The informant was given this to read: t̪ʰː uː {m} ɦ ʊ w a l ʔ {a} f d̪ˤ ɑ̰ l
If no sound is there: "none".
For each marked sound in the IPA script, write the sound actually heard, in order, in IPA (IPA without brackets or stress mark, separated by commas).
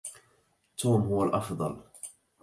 m, ɑ